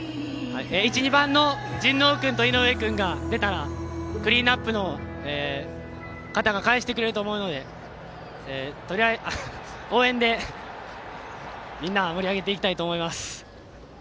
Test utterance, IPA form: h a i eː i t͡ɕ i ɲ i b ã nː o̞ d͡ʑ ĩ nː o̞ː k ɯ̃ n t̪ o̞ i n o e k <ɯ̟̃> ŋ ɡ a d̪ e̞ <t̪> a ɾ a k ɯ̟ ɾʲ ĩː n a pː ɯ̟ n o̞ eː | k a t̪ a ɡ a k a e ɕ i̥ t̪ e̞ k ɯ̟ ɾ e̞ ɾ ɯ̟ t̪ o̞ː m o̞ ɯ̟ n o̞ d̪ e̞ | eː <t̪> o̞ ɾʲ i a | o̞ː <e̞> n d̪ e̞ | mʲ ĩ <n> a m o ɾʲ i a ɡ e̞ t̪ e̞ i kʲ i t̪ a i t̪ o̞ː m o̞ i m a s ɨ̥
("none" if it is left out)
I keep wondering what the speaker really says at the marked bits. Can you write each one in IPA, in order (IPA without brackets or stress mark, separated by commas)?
ɯ̟̃, t̪, t̪, ẽ̞, nː